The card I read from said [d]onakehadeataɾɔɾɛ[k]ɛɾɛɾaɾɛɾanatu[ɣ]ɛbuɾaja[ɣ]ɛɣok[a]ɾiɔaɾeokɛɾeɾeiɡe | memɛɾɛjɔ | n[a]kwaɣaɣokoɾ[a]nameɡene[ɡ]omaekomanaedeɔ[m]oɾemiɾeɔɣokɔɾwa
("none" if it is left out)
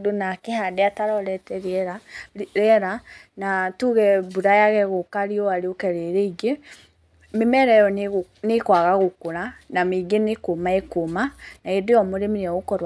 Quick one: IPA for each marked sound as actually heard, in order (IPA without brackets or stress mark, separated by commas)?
d, t, ɣ, ɣ, a, e, a, k, m